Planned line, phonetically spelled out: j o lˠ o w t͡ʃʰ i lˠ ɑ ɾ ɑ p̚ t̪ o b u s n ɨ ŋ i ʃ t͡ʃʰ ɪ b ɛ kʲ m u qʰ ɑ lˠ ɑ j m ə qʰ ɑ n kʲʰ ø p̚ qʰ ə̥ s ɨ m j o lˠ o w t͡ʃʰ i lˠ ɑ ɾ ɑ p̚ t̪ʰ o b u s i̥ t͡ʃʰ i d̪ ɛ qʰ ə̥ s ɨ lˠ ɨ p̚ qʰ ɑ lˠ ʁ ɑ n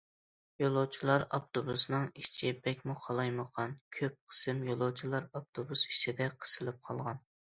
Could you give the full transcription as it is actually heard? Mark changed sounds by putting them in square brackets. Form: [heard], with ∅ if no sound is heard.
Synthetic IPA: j o lˠ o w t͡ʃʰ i lˠ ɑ ɾ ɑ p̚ t̪ o b u s n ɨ ŋ i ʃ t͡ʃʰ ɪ b ɛ kʲ m u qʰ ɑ lˠ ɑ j m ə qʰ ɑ n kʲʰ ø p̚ qʰ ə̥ s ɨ m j o lˠ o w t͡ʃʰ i lˠ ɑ ɾ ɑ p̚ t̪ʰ o b u s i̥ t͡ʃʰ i d̪ ɛ qʰ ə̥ s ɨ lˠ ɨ p̚ qʰ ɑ lˠ ʁ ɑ n